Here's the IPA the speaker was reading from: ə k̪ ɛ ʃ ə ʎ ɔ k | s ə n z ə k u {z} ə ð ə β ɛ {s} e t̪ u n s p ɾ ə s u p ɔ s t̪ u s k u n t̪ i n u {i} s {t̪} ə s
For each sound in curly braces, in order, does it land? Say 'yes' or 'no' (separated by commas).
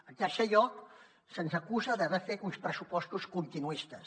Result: yes, no, yes, yes